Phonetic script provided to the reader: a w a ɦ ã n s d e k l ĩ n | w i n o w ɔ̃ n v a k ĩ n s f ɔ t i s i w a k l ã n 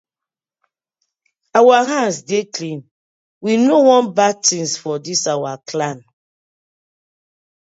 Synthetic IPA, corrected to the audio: a w a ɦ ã n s d e k l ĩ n | w i n o w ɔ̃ n b a t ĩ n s f ɔ d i s a w a k l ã n